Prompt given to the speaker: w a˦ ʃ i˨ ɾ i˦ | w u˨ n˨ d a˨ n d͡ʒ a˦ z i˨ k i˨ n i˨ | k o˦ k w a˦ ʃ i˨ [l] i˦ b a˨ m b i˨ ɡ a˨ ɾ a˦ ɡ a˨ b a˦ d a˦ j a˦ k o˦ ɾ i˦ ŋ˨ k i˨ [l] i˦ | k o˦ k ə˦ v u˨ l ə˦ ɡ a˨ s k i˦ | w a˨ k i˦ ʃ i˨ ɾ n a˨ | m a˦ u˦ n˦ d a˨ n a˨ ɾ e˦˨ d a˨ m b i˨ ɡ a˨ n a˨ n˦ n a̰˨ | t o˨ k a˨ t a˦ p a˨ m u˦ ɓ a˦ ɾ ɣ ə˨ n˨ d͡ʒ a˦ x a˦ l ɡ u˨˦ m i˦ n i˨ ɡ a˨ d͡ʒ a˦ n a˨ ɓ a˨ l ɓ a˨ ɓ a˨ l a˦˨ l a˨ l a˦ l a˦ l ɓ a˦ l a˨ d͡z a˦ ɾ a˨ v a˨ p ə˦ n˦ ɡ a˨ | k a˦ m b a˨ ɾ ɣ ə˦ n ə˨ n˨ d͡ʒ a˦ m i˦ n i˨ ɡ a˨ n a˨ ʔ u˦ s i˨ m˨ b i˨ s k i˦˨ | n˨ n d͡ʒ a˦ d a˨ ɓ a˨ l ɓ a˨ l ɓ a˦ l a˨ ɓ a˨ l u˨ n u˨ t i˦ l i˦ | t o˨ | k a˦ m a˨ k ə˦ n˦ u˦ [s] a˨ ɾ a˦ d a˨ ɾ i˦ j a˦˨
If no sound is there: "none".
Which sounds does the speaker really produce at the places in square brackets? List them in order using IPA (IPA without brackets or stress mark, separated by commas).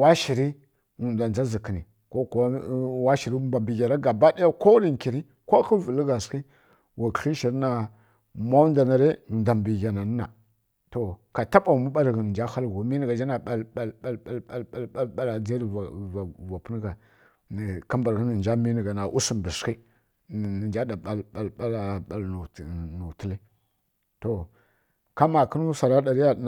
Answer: ɾ, ɾ, s